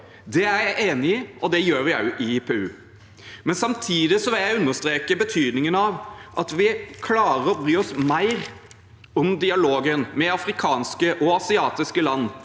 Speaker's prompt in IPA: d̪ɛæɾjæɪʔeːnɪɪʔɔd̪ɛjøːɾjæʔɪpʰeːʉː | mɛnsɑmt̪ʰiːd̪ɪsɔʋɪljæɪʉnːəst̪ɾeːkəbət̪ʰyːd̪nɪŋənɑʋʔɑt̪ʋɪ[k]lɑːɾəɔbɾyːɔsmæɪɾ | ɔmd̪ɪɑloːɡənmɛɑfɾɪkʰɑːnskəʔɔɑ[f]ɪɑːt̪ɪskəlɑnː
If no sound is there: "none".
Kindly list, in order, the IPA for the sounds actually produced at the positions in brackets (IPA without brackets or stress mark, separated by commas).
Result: kʰ, s